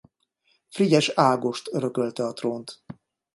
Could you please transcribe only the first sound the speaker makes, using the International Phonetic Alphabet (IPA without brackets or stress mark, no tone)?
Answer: f